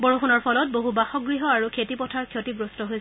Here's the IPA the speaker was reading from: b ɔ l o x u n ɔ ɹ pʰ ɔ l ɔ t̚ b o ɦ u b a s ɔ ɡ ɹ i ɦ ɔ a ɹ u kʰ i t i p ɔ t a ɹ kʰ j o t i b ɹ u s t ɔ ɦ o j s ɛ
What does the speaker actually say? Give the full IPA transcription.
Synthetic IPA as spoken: b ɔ ɹ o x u n ɔ ɹ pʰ ɔ l ɔ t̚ b o ɦ u b a x ɔ ɡ ɹ i ɦ ɔ a ɹ u kʰ e t i p ɔ tʰ a ɹ kʰ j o t i b ɹ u s t ɔ ɦ o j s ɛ